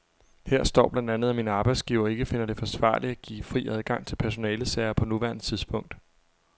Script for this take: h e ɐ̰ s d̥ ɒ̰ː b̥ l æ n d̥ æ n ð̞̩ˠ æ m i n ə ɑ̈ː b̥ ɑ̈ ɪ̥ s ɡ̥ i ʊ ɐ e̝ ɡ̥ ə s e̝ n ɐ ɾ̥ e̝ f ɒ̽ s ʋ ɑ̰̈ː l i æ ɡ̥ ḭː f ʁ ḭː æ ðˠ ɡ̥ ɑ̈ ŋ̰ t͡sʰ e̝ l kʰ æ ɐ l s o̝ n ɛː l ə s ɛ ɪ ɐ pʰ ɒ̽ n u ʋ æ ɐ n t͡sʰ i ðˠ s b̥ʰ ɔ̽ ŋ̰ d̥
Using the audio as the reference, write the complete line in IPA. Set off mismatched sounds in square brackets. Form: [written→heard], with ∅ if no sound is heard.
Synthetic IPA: h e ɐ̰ s d̥ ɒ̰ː b̥ l æ n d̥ æ n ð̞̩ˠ æ m i n ə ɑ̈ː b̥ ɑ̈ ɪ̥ s ɡ̥ i ʊ ɐ e̝ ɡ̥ ə [s→f] e̝ n ɐ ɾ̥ e̝ f ɒ̽ s ʋ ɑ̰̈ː l i æ ɡ̥ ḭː f ʁ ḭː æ ðˠ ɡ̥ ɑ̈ ŋ̰ t͡sʰ e̝ l [kʰ→pʰ] æ ɐ [l→∅] s o̝ n ɛː l ə s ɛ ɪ ɐ pʰ ɒ̽ n u ʋ æ ɐ n t͡sʰ i ðˠ s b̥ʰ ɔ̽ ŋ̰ d̥